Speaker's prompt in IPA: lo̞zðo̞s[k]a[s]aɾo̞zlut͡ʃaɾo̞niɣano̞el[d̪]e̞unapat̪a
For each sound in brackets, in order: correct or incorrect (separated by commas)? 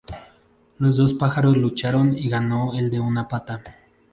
incorrect, incorrect, correct